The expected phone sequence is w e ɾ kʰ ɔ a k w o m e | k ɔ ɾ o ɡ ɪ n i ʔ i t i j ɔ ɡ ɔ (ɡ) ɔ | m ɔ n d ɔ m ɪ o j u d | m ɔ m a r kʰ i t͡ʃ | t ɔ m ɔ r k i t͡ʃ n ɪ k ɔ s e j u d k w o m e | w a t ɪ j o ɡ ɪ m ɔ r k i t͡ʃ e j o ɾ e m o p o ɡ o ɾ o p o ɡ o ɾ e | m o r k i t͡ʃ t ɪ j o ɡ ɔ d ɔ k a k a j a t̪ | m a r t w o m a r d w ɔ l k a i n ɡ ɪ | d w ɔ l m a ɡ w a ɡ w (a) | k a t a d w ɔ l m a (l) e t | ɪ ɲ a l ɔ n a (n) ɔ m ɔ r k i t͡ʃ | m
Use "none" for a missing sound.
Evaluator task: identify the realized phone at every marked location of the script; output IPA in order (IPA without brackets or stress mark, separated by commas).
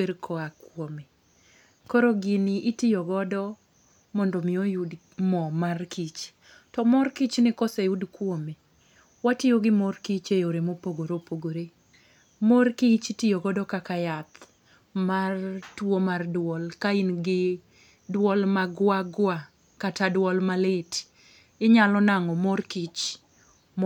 d, a, l, ŋ